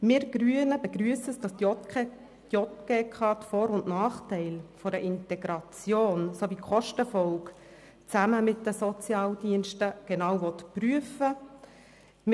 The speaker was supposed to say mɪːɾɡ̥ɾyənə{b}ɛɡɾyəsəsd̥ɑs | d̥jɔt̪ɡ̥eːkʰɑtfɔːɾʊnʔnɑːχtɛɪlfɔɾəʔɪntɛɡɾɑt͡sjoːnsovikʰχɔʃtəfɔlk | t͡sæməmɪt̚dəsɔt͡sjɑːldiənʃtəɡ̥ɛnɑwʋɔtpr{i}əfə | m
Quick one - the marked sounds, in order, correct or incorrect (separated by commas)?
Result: correct, incorrect